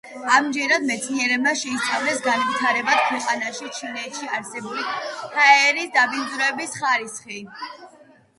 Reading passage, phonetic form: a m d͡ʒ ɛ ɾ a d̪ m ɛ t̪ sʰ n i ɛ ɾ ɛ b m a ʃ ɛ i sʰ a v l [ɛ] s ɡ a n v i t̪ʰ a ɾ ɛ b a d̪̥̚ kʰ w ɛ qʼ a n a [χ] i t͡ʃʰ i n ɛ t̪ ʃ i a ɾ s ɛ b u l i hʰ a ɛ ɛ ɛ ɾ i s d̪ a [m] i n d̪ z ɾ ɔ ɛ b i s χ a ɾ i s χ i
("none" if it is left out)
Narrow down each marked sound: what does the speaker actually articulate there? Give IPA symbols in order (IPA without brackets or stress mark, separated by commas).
ɛ, ʃ, b